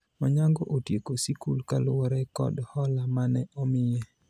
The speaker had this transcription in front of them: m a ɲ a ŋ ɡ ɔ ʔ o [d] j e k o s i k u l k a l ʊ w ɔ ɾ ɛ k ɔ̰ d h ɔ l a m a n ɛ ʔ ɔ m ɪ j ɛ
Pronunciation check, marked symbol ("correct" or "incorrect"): incorrect